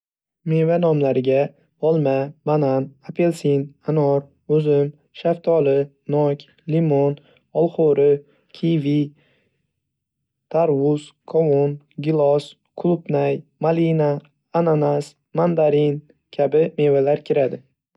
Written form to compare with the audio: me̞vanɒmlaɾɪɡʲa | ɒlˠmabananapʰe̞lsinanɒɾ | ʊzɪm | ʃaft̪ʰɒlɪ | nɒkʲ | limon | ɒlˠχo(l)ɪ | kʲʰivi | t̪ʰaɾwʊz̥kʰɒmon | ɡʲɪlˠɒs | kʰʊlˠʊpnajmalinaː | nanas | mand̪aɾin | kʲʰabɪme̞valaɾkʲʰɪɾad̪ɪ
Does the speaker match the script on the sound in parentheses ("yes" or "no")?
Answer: no